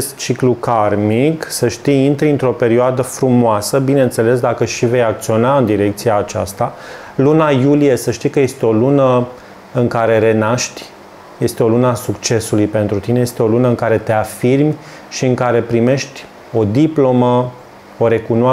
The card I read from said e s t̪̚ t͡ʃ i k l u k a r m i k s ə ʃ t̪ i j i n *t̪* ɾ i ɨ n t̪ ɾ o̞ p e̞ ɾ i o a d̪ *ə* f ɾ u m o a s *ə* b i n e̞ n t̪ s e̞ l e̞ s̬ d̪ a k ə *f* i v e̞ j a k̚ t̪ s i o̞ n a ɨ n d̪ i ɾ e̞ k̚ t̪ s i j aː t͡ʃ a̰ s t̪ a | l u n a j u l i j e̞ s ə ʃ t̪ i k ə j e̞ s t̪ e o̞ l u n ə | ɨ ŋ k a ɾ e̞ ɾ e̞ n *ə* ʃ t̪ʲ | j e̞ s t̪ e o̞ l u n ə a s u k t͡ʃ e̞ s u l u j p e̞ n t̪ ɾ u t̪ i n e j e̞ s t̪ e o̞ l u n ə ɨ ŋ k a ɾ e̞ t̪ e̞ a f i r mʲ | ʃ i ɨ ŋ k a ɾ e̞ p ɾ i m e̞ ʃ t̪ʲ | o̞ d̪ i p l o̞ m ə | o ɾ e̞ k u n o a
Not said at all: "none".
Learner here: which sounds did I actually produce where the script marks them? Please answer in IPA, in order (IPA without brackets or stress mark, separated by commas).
t̪, ə, ə, ʃ, a